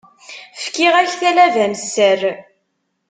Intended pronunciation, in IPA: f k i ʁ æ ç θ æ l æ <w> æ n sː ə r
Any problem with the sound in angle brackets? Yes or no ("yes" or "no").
yes